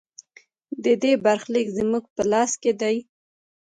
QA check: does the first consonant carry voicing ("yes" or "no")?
yes